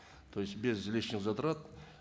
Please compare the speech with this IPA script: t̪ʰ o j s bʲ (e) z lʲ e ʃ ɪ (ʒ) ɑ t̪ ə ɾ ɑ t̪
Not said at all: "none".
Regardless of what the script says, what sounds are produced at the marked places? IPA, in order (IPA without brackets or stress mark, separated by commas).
e, z